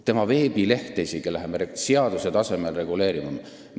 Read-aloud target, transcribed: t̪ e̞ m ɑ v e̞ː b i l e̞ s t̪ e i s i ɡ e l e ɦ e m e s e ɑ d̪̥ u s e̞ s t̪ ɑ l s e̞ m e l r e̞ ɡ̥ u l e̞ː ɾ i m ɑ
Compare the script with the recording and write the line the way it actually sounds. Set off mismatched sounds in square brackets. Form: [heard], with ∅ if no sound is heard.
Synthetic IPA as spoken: t̪ e̞ m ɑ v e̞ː b i l e̞ [h] t̪ e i s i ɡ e l [æ] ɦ e m e s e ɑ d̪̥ u s e̞ [∅] t̪ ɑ [∅] s e̞ m e l r e̞ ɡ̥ u l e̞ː ɾ i m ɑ

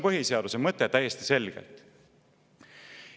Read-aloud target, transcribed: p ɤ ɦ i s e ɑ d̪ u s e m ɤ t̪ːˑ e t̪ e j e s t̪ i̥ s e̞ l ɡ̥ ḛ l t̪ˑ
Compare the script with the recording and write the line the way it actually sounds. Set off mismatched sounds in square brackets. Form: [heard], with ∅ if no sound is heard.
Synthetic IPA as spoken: p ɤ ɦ i s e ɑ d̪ u s e m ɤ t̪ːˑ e t̪ [æ] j e s t̪ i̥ s e̞ l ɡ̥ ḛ l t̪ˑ

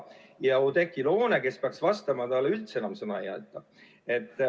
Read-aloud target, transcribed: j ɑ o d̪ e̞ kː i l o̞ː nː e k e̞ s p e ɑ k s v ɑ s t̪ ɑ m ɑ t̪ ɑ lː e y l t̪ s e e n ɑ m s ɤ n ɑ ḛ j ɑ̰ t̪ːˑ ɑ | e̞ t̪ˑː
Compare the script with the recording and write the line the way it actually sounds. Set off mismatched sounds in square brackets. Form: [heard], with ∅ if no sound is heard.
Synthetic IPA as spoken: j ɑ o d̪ e̞ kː i l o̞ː [n] e k e̞ s p e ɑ k s v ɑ s t̪ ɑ m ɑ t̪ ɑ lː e y l t̪ s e e n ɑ m s ɤ n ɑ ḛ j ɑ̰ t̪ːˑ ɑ | e̞ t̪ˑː

